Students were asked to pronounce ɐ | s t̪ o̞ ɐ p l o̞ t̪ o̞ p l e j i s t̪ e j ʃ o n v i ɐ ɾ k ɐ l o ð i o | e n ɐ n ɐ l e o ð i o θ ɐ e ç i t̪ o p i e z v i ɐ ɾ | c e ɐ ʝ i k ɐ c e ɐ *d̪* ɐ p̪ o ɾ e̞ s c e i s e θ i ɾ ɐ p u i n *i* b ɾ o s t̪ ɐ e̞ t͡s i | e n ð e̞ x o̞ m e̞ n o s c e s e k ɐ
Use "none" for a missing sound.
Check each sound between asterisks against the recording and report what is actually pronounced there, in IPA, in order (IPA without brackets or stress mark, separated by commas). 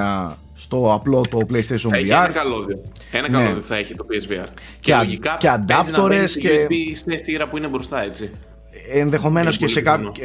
d̪, e